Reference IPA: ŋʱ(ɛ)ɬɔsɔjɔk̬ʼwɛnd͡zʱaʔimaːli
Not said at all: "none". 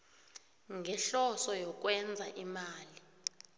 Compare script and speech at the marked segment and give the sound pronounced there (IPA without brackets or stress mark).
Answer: ɛ